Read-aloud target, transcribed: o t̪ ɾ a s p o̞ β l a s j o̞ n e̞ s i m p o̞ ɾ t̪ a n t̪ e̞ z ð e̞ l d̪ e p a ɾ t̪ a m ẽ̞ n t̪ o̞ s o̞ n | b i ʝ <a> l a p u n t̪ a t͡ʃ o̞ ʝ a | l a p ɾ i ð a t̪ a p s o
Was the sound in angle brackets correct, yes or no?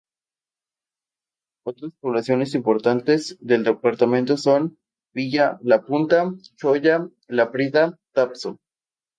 yes